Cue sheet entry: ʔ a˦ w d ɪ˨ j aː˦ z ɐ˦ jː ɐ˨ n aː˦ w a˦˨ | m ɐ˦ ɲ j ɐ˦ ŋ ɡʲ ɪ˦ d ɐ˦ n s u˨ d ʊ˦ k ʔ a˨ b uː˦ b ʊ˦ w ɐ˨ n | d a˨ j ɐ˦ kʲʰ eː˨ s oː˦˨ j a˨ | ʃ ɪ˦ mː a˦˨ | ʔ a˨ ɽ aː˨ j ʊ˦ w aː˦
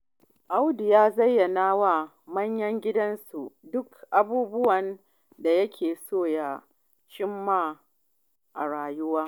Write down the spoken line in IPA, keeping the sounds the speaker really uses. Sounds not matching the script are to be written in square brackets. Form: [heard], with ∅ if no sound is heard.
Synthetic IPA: ʔ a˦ w d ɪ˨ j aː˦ z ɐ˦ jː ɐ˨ n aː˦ w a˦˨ | m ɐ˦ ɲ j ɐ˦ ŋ ɡʲ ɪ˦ d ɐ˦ n s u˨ d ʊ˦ k ʔ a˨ b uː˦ b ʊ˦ w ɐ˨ n | d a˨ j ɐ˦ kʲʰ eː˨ s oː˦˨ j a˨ | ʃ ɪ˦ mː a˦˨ | ʔ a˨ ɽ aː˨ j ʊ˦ w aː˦

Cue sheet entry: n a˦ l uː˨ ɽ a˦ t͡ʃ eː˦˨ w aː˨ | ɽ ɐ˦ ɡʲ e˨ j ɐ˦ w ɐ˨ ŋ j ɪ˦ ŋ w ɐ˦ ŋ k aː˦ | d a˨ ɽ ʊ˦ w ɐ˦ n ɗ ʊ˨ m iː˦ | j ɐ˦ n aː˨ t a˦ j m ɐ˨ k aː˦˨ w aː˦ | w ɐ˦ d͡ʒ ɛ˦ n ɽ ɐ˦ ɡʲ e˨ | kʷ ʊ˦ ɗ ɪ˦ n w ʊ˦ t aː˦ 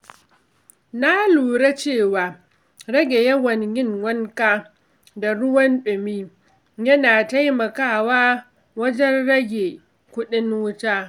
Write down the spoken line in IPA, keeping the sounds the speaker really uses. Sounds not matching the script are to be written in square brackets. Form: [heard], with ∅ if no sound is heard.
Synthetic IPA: n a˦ l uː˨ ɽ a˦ t͡ʃ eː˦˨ w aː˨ | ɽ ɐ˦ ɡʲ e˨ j ɐ˦ w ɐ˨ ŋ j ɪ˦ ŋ w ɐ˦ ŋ k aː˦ | d a˨ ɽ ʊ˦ w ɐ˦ n ɗ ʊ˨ m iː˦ | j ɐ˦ n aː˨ t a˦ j m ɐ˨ k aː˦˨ w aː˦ | w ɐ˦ d͡ʒ ɛ˦ n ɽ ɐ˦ ɡʲ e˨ | kʷ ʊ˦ ɗ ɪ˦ n w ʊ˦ t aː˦

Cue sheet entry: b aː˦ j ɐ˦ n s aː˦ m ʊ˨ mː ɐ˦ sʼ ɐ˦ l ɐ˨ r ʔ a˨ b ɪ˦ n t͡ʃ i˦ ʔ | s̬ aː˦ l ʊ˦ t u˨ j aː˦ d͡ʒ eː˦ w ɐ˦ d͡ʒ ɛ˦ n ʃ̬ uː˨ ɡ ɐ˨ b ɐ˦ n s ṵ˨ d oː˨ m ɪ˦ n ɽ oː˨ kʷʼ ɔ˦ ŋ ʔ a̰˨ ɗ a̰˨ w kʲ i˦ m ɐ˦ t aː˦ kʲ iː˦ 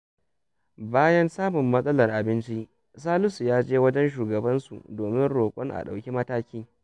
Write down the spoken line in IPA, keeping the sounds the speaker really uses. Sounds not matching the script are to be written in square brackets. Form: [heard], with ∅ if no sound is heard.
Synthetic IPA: b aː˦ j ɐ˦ n s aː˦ m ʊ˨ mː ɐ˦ sʼ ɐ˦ l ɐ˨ r ʔ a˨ b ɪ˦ n t͡ʃ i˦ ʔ | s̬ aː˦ l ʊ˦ [s] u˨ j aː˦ d͡ʒ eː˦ w ɐ˦ d͡ʒ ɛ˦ n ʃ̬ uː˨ ɡ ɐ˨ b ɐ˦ n s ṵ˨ d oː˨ m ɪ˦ n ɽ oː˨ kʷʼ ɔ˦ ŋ ʔ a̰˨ ɗ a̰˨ w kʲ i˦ m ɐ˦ t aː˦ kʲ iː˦

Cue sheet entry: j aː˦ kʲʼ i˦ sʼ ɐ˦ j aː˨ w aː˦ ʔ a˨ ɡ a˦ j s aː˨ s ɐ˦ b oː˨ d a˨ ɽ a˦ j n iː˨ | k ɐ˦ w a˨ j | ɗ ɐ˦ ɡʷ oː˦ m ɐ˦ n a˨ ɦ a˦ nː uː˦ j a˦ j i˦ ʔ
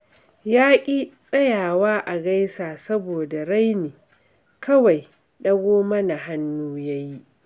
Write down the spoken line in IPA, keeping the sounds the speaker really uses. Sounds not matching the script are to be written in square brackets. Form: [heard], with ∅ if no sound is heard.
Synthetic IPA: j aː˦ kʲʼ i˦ sʼ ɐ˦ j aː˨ w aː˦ ʔ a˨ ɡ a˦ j s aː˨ s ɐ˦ b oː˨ d a˨ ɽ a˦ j n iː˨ | k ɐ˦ w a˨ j | ɗ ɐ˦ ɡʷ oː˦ m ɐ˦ n a˨ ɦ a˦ nː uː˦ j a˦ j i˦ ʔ

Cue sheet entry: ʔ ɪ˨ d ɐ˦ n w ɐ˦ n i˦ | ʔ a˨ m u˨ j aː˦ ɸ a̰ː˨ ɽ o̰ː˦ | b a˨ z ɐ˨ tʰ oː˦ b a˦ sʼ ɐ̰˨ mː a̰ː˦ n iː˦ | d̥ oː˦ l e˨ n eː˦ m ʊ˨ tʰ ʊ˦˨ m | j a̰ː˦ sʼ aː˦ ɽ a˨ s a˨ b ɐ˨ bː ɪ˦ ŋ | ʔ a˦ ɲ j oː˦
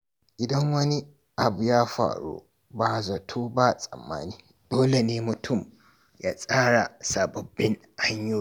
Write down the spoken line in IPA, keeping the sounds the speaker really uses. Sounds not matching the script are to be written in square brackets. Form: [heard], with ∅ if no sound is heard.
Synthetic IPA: ʔ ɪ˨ d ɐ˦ [ŋ] w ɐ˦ n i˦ | ʔ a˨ [b] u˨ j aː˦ ɸ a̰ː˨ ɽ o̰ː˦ | b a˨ z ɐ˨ tʰ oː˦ b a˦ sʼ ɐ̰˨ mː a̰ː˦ n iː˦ | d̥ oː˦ l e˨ n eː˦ m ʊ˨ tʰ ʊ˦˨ m | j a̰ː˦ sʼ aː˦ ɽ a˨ s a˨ b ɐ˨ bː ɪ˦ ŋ | ʔ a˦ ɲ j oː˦

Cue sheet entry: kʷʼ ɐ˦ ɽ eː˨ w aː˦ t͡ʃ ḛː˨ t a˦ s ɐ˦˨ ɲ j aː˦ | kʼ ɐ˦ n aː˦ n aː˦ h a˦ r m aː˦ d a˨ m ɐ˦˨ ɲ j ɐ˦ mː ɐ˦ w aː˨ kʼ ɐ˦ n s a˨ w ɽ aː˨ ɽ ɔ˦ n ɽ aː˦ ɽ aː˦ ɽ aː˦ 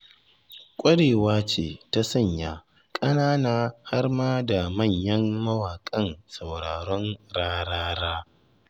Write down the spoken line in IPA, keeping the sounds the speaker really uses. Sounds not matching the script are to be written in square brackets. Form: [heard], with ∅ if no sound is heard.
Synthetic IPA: kʷʼ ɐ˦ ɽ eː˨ w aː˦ t͡ʃ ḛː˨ t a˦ s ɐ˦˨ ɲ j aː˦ | kʼ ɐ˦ n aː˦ n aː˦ h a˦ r m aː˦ d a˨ m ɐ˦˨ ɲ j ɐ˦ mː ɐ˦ w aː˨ kʼ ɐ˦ n s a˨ w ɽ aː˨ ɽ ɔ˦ n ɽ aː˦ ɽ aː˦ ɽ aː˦

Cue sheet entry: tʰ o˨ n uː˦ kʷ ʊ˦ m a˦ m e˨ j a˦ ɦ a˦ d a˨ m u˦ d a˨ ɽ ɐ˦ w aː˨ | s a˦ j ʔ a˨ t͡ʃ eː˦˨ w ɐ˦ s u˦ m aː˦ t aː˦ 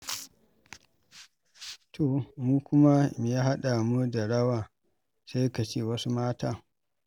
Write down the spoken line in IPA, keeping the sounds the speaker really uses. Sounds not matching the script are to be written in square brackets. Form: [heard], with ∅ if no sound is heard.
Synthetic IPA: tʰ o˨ [m] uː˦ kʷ ʊ˦ m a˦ m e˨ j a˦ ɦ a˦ [ɗ] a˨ m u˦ d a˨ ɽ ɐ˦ w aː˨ | s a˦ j [k] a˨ t͡ʃ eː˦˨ w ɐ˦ s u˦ m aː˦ t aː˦

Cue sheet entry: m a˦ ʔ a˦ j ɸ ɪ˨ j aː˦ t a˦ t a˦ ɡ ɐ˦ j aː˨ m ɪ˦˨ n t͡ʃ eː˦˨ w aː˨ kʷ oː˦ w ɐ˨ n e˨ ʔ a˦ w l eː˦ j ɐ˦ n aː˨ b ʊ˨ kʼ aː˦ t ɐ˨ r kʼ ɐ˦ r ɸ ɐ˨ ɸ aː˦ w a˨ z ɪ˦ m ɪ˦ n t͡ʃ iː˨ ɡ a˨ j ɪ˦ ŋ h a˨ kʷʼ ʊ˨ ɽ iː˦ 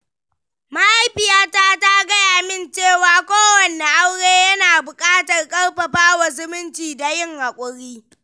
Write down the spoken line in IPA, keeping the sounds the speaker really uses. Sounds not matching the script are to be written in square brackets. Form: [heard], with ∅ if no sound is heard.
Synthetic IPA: m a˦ ʔ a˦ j ɸ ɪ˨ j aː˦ t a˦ t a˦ ɡ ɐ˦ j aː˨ m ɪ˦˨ n t͡ʃ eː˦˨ w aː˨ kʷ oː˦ w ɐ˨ n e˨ ʔ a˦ w [ɽ] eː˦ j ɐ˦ n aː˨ b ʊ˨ kʼ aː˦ t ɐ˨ r kʼ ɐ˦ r ɸ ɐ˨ ɸ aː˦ w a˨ z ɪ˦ m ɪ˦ n t͡ʃ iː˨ [d] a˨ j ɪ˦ ŋ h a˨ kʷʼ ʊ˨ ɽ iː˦

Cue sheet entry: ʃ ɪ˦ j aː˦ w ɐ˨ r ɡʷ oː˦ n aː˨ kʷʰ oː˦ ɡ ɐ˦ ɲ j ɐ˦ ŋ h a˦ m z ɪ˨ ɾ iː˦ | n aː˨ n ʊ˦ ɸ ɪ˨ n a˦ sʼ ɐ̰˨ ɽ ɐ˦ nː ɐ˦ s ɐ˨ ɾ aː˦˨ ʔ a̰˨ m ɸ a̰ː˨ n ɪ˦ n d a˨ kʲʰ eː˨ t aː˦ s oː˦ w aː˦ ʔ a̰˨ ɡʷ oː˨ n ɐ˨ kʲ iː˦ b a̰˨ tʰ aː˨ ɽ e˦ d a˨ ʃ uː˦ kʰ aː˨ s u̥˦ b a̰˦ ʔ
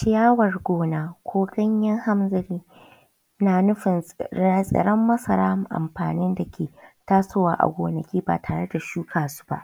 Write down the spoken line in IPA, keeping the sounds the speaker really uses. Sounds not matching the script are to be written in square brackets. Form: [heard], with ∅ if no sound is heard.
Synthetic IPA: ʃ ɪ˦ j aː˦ w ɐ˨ r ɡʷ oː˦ n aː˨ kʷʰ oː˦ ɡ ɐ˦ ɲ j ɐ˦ ŋ h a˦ m z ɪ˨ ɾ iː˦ | n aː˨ n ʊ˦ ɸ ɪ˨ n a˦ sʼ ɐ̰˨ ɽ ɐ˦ [mː] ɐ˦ s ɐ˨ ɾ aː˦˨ ʔ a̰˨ m ɸ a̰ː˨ n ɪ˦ n d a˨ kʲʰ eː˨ t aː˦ s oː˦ w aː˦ ʔ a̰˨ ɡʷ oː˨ n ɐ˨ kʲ iː˦ b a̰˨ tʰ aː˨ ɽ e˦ d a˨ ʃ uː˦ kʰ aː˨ s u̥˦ b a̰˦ ʔ

